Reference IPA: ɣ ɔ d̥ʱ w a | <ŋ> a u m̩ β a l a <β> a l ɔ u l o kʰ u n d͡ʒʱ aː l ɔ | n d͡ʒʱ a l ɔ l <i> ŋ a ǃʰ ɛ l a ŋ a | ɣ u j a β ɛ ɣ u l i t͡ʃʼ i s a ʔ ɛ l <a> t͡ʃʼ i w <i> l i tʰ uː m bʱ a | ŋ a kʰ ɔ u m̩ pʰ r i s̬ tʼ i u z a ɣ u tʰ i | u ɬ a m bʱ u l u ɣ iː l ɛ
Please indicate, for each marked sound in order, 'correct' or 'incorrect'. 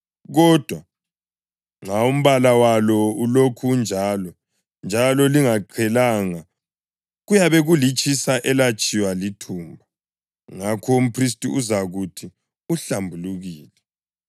correct, incorrect: w, correct, correct, incorrect: a

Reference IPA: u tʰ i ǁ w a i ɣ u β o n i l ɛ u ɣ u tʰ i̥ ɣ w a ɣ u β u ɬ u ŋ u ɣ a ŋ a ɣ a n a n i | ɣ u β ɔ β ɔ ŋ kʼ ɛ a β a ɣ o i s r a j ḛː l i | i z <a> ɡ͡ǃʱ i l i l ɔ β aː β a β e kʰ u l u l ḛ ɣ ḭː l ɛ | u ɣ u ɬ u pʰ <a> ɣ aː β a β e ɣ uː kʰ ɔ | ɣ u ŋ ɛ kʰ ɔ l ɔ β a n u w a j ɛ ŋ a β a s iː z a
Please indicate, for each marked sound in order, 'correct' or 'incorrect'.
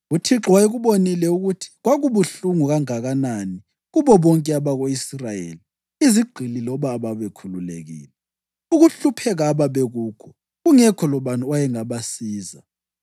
incorrect: i, incorrect: ɛ

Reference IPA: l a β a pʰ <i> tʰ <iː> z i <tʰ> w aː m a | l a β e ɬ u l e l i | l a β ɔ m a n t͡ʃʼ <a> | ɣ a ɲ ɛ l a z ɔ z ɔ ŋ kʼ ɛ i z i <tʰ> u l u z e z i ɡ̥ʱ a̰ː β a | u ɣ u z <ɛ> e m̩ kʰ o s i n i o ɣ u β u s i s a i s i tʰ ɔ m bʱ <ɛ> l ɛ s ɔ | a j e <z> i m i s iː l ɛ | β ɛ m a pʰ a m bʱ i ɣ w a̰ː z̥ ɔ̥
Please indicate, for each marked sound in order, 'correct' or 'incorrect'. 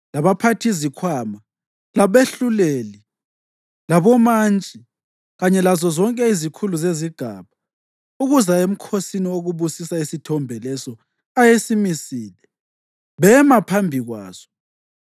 incorrect: a, incorrect: i, incorrect: kʰ, incorrect: i, incorrect: kʰ, incorrect: a, correct, incorrect: s

